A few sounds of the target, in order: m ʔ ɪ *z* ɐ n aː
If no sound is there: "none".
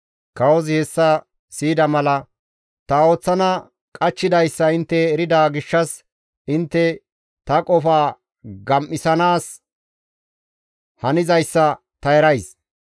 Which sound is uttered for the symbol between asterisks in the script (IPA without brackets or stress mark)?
s